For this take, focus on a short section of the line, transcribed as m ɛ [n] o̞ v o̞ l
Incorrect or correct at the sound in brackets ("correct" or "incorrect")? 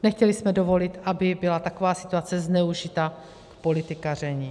incorrect